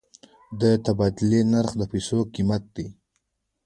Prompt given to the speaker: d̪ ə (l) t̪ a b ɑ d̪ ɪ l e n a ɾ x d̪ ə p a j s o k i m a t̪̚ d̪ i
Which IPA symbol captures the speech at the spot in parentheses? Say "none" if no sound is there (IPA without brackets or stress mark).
none